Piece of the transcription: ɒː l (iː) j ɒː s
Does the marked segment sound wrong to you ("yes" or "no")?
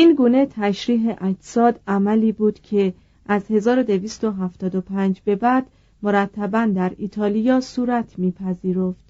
yes